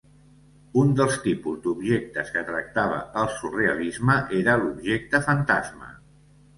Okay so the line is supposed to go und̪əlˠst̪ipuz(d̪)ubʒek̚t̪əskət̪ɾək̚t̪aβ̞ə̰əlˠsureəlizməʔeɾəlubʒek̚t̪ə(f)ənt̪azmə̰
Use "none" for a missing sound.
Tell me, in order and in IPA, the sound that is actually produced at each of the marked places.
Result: d̪, f

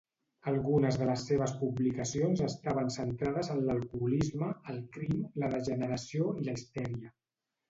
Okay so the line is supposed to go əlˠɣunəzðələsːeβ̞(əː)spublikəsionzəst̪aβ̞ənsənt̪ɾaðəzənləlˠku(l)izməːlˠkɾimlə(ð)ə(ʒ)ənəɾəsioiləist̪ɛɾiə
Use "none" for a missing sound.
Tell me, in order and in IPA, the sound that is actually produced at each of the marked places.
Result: ə, l, ð, ʒ

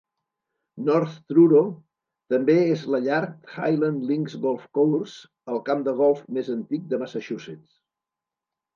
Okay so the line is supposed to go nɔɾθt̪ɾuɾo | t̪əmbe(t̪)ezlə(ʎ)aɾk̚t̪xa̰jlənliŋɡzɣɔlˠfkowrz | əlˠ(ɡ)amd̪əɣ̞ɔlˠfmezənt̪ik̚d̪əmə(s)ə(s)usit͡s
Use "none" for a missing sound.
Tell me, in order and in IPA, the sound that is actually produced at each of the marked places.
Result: none, ʎ, k, s, ʃ

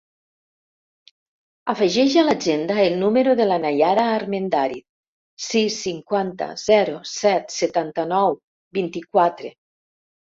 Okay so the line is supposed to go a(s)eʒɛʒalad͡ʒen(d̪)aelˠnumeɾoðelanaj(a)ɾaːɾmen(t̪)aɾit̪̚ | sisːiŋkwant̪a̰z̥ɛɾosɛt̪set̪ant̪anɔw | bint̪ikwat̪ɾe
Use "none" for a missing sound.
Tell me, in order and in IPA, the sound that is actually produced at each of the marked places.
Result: f, d̪, a, d̪

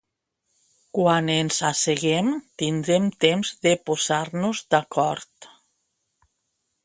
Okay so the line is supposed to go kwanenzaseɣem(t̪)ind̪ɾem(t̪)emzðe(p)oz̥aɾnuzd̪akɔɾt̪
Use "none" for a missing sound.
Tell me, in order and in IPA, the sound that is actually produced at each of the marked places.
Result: t̪, t̪, p

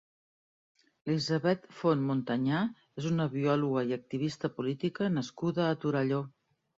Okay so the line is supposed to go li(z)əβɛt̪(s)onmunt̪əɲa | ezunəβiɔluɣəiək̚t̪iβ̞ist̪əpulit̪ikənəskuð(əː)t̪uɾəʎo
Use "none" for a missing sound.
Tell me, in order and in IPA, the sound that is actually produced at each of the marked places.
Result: z, f, əː

